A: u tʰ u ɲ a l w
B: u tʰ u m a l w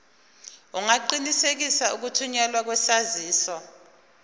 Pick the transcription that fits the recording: A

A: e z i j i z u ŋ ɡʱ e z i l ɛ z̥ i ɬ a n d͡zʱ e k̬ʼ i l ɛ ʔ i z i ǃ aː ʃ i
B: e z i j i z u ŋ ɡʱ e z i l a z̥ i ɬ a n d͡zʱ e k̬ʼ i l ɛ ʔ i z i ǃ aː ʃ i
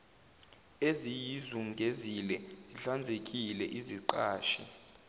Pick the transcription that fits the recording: A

